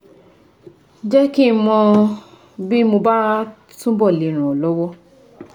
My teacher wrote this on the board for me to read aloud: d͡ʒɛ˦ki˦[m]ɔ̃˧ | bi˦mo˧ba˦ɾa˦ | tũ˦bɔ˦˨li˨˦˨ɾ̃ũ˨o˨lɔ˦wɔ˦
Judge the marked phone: correct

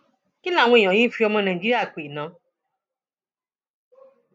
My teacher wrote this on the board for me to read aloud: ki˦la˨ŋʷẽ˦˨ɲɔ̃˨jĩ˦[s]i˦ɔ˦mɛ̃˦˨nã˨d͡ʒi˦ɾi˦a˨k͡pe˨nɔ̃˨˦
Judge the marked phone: incorrect: f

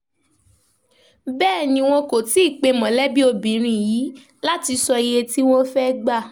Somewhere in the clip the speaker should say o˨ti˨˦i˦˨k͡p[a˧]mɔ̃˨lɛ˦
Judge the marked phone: incorrect: e˧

